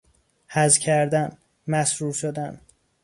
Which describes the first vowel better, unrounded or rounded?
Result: unrounded